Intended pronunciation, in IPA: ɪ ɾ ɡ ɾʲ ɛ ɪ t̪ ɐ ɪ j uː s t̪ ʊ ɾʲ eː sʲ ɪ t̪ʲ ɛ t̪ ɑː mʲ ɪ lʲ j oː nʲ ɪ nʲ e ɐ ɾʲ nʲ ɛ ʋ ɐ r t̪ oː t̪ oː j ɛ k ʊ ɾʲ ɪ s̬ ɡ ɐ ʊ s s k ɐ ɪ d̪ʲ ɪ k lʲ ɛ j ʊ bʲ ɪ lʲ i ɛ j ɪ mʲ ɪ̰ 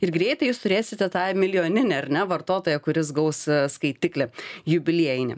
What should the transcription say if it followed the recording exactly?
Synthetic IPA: ɪ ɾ ɡ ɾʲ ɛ ɪ t̪ ɐ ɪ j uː s t̪ ʊ ɾʲ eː sʲ ɪ t̪ʲ ɛ t̪ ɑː mʲ ɪ lʲ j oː nʲ ɪ nʲ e ɐ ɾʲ nʲ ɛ ʋ ɐ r t̪ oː t̪ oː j ɛ k ʊ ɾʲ ɪ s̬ ɡ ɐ ʊ s s k ɐ ɪ t̪ʲ ɪ k lʲ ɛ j ʊ bʲ ɪ lʲ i ɛ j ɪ nʲ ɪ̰